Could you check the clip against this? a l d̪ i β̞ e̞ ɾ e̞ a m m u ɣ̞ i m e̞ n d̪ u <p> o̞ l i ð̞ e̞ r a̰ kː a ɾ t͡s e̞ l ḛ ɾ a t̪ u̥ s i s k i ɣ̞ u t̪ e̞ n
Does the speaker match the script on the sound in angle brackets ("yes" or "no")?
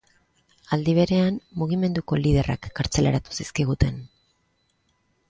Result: no